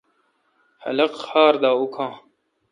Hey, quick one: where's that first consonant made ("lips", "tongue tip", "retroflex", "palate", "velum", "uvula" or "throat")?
throat